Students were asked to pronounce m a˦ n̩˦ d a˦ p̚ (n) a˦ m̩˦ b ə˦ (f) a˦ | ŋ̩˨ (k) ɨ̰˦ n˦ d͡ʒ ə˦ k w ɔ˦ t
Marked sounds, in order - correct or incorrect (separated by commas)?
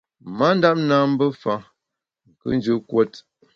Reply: correct, correct, correct